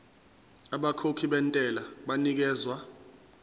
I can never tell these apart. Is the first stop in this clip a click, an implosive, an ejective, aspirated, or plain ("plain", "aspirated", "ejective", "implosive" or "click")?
implosive